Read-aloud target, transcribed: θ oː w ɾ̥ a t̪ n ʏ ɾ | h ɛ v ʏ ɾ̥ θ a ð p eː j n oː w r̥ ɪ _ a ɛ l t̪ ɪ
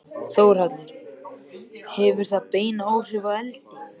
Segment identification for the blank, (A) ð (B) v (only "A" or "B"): B